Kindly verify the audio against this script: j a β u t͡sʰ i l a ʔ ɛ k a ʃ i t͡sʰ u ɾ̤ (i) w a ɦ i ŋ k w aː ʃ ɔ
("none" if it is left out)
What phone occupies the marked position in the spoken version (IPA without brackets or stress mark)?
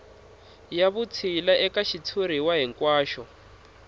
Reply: i